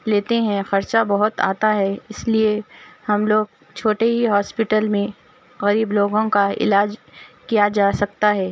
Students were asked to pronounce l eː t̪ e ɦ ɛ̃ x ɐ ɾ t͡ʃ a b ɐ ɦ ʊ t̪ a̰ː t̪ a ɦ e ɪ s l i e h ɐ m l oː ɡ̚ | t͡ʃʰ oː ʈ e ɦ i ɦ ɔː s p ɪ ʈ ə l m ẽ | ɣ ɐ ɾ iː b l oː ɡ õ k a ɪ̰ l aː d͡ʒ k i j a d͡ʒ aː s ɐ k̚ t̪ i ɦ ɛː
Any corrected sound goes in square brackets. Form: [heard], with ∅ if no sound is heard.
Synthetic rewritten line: l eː t̪ e ɦ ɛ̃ x ɐ ɾ t͡ʃ a b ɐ ɦ ʊ t̪ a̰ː t̪ a ɦ [ɛ] ɪ s l i e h ɐ m l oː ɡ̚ | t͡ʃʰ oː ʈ e ɦ i ɦ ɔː s p ɪ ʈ ə l m ẽ | ɣ ɐ ɾ iː b l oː ɡ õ k a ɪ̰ l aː d͡ʒ k i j a d͡ʒ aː s ɐ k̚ t̪ [a] ɦ ɛː